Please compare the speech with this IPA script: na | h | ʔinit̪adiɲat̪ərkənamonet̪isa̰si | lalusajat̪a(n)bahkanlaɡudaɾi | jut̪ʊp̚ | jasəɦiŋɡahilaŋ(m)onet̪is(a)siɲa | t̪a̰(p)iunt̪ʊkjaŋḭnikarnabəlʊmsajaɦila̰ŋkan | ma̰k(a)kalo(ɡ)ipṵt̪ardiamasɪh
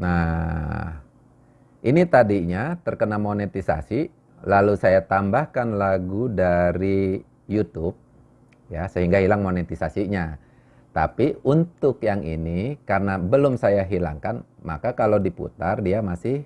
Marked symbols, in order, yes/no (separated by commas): no, yes, yes, yes, yes, no